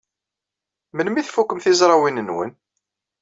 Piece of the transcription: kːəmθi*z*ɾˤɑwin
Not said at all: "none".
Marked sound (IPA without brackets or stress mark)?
z